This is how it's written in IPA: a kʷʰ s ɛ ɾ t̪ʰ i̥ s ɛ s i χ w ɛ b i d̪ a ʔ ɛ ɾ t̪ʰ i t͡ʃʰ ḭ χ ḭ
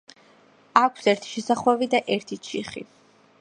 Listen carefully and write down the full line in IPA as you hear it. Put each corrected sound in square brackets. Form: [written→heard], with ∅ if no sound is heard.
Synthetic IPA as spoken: a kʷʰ s ɛ ɾ t̪ʰ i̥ [s→ʃ] ɛ s [i→a] χ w ɛ [b→v] i d̪ a ʔ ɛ ɾ t̪ʰ i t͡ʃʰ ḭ χ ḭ